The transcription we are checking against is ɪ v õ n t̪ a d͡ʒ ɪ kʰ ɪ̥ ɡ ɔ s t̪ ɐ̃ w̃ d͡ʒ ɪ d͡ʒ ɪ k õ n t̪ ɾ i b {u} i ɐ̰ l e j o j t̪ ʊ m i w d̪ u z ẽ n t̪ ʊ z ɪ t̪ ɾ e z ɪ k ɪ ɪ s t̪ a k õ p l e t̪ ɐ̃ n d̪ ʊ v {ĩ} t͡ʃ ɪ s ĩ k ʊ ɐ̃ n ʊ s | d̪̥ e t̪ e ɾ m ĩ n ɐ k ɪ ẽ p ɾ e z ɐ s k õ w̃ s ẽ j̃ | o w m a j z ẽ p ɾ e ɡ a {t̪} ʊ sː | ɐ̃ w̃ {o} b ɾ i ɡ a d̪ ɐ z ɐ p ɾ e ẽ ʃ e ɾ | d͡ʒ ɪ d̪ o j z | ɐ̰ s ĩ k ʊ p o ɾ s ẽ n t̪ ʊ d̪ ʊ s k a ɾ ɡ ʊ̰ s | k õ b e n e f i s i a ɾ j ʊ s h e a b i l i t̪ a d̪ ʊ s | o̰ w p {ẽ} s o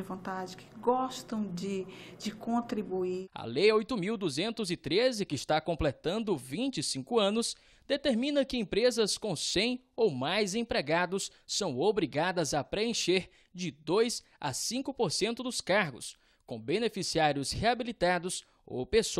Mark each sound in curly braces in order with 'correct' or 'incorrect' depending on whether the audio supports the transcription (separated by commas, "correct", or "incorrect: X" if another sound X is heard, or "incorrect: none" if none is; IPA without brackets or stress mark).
correct, correct, incorrect: d̪, correct, incorrect: e